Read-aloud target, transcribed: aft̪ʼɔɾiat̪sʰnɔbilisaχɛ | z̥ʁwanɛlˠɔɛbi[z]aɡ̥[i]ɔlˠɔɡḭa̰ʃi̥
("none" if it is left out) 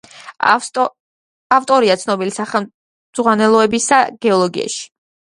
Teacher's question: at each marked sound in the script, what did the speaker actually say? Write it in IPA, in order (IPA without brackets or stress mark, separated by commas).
s, ɛ